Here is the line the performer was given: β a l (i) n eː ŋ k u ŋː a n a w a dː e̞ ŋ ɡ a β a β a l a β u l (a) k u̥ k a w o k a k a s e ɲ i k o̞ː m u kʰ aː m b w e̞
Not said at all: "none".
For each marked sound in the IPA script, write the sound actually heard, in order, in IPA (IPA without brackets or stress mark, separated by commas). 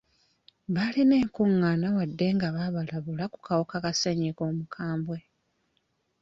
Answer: i, a